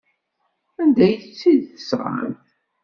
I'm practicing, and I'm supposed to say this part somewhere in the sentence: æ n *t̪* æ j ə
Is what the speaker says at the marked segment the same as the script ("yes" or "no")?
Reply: no